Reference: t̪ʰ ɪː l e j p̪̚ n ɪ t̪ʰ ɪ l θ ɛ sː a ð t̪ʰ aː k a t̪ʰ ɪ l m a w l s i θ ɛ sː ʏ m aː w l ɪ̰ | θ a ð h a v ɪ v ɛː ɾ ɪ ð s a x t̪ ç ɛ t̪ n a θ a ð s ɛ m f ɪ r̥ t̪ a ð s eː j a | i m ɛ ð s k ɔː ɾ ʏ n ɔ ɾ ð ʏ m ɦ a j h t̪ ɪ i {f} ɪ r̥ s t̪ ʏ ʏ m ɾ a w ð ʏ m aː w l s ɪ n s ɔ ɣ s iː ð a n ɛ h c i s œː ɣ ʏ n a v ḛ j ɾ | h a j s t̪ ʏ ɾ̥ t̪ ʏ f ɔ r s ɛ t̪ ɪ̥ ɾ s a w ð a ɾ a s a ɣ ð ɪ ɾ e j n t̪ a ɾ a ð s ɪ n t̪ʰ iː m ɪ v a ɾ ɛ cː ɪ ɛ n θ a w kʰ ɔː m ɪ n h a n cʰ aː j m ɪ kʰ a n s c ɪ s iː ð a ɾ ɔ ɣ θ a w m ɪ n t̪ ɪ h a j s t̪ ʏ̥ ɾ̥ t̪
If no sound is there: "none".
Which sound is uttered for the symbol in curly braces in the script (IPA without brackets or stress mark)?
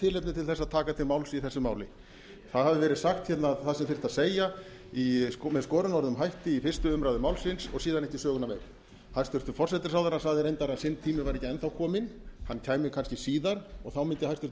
f